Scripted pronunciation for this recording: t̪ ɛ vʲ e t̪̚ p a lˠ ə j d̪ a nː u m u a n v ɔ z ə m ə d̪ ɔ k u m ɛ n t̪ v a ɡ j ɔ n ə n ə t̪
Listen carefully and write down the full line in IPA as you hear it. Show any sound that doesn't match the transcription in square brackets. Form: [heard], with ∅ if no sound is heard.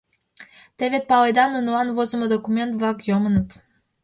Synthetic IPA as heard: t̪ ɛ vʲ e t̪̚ p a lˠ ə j d̪ a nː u [n] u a n v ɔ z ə m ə d̪ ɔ k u m ɛ n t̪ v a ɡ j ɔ [m] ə n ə t̪